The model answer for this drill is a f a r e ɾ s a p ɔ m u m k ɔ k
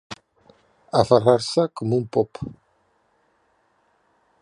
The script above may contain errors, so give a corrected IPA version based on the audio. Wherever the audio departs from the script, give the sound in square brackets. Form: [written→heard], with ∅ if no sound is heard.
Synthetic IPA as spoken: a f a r [e→a] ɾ s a [p→k] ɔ m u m [k→p] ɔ [k→p]